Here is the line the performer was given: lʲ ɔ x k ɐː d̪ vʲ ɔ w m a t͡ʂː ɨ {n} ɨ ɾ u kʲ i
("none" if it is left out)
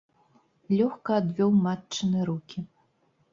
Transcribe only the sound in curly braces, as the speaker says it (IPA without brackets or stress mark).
n